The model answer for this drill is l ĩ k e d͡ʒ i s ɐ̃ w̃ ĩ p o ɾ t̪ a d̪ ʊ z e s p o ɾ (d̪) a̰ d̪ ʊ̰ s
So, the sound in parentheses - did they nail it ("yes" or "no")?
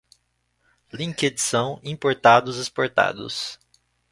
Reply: no